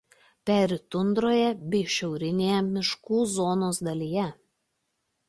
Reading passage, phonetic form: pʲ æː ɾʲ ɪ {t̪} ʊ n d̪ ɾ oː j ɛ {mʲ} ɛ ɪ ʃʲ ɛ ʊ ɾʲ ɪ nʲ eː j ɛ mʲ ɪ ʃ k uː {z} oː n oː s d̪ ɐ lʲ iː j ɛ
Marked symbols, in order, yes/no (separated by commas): yes, no, yes